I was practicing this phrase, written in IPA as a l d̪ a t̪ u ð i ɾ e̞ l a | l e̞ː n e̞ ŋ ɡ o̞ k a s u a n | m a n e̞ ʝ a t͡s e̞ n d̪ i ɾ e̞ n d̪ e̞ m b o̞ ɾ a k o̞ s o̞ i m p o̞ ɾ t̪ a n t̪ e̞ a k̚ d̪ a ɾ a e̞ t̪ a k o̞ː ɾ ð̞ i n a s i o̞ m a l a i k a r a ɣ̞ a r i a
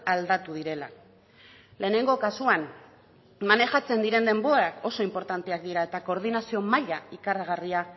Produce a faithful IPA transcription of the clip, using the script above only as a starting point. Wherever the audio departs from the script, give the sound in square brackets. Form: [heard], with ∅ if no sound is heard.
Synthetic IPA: a l d̪ a t̪ u ð i ɾ e̞ l a | l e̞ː n e̞ ŋ ɡ o̞ k a s u a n | m a n e̞ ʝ a t͡s e̞ n d̪ i ɾ e̞ n d̪ e̞ m b o̞ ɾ a k o̞ s o̞ i m p o̞ ɾ t̪ a n t̪ e̞ a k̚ d̪ [i] ɾ a e̞ t̪ a k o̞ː ɾ ð̞ i n a s i o̞ m a [ʎ] a i k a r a ɣ̞ a r i a